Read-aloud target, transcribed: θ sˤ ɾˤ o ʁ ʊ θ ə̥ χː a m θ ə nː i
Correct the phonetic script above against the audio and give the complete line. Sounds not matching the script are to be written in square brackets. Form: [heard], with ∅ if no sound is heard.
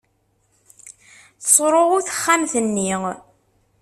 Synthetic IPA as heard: θ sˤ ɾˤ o ʁ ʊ θ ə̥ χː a m θ ə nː i